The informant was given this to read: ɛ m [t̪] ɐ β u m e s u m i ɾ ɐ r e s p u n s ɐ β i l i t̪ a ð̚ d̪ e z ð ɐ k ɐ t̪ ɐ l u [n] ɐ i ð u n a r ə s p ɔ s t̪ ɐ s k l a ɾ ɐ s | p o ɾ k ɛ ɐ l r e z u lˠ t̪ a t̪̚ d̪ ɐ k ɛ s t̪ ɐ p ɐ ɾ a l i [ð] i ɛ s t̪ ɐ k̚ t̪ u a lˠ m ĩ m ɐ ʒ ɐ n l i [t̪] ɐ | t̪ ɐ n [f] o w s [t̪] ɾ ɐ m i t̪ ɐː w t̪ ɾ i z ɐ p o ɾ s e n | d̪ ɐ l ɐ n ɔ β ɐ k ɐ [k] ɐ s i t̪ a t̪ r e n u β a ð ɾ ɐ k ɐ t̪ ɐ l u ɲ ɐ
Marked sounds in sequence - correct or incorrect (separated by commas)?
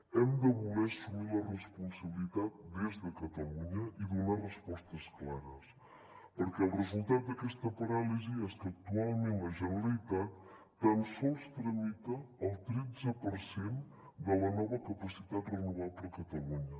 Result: incorrect, incorrect, incorrect, correct, incorrect, correct, incorrect